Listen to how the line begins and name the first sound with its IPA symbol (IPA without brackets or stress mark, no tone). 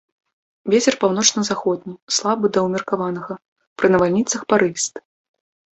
vʲ